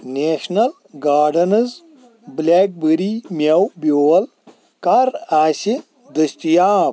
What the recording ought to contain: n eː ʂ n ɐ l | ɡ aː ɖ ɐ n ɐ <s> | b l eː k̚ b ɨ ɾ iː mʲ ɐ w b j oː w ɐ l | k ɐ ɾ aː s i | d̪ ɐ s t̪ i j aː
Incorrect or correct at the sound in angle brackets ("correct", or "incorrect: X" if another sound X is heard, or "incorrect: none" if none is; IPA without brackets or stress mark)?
incorrect: z